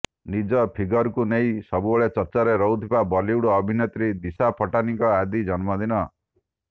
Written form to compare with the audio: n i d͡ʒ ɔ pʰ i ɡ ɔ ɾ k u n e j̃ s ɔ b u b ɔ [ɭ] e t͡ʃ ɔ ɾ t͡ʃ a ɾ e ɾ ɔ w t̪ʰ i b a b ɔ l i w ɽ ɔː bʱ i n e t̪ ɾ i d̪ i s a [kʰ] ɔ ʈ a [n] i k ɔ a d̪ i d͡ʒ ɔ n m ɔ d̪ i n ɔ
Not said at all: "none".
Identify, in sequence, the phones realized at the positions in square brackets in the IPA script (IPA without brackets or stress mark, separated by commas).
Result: ɭ, pʰ, n